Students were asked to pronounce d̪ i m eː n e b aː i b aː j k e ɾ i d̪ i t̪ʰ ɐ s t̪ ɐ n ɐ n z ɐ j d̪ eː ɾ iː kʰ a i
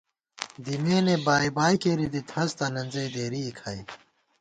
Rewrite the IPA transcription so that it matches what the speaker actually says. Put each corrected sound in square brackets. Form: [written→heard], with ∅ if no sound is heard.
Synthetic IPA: d̪ i m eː n e b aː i b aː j k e ɾ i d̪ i t̪ʰ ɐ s t̪ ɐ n ɐ n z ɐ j d̪ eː ɾ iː kʰ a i